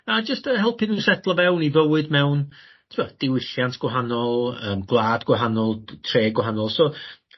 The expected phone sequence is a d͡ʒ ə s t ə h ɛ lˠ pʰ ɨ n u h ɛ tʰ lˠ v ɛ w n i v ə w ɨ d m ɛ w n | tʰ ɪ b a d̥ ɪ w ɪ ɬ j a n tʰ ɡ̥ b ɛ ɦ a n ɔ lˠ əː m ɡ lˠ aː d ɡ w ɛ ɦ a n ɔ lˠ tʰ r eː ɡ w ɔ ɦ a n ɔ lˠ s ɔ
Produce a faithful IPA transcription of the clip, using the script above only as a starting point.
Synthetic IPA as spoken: a d͡ʒ ə s t ə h ɛ lˠ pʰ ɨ n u s ɛ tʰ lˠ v ɛ w n i v ə w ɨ d m ɛ w n | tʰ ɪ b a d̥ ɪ w ɪ ɬ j a n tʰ ɡ̥ w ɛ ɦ a n ɔ lˠ əː m ɡ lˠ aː d ɡ w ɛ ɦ a n ɔ lˠ tʰ r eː ɡ w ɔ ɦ a n ɔ lˠ s ɔ